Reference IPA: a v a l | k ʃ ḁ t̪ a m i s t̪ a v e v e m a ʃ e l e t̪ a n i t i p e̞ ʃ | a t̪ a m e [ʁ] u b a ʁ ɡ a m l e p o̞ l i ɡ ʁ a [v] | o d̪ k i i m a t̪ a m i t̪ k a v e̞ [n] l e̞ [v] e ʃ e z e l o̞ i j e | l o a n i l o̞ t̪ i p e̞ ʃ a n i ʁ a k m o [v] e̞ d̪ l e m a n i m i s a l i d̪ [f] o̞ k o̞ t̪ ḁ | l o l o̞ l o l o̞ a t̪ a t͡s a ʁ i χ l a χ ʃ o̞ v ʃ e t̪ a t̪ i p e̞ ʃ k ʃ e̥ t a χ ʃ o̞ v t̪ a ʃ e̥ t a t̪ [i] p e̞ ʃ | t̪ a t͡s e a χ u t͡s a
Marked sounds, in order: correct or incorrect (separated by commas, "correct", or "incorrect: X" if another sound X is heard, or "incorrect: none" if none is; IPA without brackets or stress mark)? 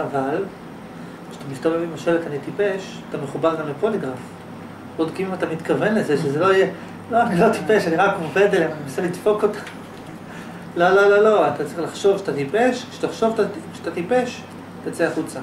incorrect: χ, incorrect: f, correct, incorrect: z, correct, correct, correct